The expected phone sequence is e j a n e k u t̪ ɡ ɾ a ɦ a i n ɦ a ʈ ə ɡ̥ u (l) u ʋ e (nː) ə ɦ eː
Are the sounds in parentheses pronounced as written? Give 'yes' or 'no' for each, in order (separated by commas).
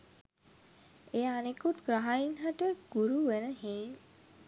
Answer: no, no